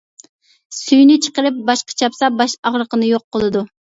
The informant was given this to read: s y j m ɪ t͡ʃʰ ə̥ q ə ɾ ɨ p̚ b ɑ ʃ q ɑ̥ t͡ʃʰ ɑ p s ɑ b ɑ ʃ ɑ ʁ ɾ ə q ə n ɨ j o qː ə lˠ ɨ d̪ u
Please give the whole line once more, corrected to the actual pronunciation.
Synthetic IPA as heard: s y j n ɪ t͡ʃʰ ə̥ q ə ɾ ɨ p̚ b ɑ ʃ q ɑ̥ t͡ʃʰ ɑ p s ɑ b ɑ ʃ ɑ ʁ ɾ ə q ə n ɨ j o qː ə lˠ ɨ d̪ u